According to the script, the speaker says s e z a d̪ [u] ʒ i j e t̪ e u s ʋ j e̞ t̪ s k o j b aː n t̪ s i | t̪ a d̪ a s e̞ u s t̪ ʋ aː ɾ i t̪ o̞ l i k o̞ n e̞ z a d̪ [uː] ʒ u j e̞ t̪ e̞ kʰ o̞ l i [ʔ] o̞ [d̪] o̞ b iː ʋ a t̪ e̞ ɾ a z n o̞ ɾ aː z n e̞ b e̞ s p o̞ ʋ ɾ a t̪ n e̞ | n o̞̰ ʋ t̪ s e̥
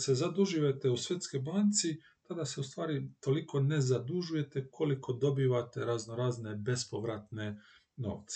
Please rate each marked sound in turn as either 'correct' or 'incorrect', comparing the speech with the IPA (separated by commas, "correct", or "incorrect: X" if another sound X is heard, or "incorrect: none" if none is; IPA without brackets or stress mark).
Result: correct, incorrect: u, incorrect: k, correct